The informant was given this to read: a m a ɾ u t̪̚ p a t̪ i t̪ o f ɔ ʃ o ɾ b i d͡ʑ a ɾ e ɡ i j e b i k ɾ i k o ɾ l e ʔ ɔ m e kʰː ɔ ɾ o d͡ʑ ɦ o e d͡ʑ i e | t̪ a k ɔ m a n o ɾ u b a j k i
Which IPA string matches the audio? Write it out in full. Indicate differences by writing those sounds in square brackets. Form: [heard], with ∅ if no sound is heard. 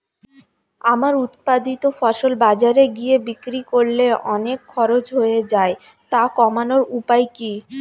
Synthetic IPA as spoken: a m a ɾ u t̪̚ p a [d̪] i t̪ o f ɔ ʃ o [l] b [a] d͡ʑ a ɾ e ɡ i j e b i k ɾ i k o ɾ l e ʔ ɔ [n] e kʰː ɔ ɾ o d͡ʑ ɦ o e d͡ʑ [a] e | t̪ a k ɔ m a n o ɾ u [p] a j k i